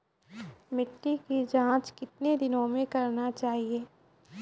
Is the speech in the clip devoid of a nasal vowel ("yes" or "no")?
no